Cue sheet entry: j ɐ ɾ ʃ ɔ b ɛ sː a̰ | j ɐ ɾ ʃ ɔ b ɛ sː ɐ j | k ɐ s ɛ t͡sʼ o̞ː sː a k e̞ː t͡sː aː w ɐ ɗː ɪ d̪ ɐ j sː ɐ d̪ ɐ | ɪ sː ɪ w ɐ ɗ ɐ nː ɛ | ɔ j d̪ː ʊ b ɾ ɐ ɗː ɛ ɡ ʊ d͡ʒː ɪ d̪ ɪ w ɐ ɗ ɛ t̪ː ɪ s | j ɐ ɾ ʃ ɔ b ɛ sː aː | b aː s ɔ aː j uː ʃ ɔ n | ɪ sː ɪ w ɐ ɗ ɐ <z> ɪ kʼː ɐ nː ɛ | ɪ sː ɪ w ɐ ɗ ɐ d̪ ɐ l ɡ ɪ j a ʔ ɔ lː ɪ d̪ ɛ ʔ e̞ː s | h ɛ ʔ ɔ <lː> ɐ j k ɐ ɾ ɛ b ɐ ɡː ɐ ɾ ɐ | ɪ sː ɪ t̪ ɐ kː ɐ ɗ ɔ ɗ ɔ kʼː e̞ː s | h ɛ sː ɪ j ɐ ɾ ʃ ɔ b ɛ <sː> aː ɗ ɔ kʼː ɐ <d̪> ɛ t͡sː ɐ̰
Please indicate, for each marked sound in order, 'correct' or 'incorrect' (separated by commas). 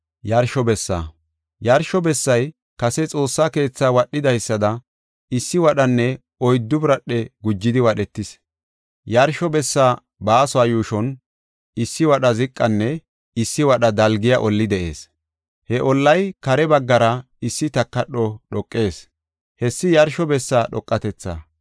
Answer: correct, correct, correct, incorrect